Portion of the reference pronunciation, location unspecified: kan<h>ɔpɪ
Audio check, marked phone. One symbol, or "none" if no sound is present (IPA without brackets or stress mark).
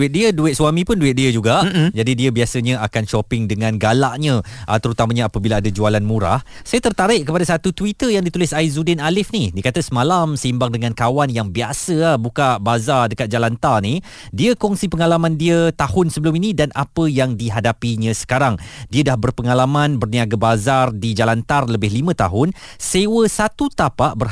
ʃ